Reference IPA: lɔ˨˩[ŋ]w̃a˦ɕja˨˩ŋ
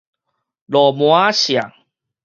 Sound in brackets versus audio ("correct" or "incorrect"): incorrect